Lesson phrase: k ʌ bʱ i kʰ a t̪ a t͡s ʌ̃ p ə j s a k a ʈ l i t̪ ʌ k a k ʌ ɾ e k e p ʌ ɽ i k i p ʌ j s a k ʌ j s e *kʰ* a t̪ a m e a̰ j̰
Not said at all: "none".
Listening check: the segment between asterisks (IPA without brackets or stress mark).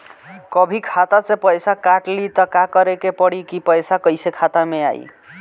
kʰ